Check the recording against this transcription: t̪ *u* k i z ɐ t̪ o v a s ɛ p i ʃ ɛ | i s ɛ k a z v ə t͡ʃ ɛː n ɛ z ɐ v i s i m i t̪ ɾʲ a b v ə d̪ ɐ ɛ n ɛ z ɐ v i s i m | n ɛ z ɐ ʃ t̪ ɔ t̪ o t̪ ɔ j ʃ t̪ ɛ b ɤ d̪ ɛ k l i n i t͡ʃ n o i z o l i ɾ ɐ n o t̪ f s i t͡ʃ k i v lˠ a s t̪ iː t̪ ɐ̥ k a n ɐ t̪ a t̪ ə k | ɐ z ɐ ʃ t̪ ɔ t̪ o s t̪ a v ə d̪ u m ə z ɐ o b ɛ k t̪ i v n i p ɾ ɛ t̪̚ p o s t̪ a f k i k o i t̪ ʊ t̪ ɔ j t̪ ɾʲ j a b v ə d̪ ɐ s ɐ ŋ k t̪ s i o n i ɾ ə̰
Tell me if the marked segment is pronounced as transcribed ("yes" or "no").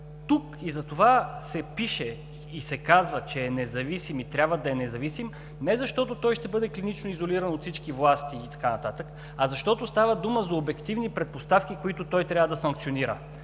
yes